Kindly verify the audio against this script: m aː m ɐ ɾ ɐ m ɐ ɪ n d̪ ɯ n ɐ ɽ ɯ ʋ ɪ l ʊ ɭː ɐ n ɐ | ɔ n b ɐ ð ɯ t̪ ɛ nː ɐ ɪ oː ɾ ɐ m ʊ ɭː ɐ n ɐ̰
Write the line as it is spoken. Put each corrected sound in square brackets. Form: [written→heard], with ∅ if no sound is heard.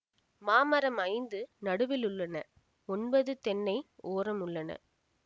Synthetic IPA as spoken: m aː m ɐ ɾ ɐ m ɐ ɪ n d̪ ɯ n ɐ ɽ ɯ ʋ ɪ l ʊ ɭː ɐ n ɐ | ɔ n b ɐ ð ɯ t̪ ɛ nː ɐ ɪ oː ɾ ɐ m ʊ ɭː ɐ n ɐ̰